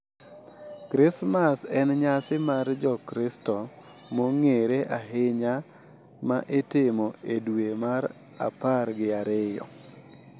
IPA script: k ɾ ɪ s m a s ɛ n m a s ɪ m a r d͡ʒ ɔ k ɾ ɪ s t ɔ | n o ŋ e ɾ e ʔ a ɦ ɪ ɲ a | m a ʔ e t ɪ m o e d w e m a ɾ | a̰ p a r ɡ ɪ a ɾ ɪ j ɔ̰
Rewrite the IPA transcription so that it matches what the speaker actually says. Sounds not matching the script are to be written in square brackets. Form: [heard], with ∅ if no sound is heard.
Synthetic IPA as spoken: k ɾ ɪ s m a s ɛ n [ɲ] a s ɪ m a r d͡ʒ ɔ k ɾ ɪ s t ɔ | [m] o ŋ e ɾ e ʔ a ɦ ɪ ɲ a | m a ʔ e t ɪ m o e d w e m a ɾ | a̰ p a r ɡ ɪ a ɾ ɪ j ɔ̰

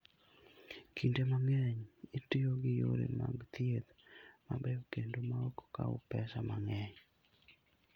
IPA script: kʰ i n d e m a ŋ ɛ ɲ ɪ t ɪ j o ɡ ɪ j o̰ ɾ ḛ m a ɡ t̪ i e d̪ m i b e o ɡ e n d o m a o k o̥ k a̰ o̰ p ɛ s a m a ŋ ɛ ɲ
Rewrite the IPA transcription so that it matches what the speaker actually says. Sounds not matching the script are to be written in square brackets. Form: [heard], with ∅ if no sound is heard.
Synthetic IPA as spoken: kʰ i n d e m a ŋ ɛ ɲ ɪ t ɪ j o ɡ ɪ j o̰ ɾ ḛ m a ɡ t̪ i e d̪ m [a] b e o [k] e n d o m a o k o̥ k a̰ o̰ p ɛ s a m a ŋ ɛ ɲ

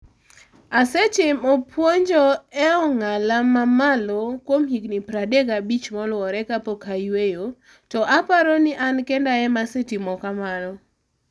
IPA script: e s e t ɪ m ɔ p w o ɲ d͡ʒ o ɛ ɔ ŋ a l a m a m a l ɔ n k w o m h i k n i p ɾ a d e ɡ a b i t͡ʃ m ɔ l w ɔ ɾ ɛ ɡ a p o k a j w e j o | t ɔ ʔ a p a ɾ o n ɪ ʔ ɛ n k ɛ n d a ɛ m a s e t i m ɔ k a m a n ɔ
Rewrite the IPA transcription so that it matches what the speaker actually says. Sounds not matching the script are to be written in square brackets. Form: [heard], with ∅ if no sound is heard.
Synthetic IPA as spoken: [a] s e [t͡ʃ] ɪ m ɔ p w o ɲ d͡ʒ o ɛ ɔ ŋ a l a m a m a l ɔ [∅] k w o m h i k n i p ɾ a d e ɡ a b i t͡ʃ m ɔ l w ɔ ɾ ɛ [k] a p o k a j w e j o | t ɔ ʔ a p a ɾ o n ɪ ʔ [a] n k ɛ n d a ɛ m a s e t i m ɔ k a m a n ɔ

